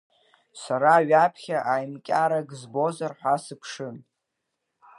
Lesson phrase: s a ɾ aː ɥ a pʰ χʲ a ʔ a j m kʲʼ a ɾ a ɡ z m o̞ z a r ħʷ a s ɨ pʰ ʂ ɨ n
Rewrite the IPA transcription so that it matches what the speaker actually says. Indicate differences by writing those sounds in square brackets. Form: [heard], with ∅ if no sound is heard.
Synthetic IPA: s a ɾ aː ɥ a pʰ χʲ a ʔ a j m kʲʼ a ɾ a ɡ z [b] o̞ z a r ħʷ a s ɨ pʰ ʂ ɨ n